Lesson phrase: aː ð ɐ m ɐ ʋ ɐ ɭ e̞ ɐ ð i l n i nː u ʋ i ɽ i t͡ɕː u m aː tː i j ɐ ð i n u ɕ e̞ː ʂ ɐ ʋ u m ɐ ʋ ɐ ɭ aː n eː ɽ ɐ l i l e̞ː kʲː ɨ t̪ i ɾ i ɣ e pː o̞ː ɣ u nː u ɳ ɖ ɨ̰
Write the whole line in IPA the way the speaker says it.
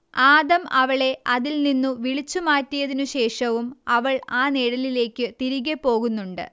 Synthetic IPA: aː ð ɐ m ɐ ʋ ɐ ɭ e̞ ɐ ð i l n i nː u ʋ i ɭ i t͡ɕː u m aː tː i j ɐ ð i n u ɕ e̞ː ʂ ɐ ʋ u m ɐ ʋ ɐ ɭ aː n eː ɽ ɐ l i l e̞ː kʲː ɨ t̪ i ɾ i ɣ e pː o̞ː ɣ u nː u ɳ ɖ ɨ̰